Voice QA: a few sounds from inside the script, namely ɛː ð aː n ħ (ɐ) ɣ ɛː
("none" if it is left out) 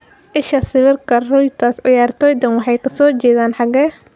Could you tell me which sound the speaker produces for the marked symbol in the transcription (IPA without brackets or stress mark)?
ɑ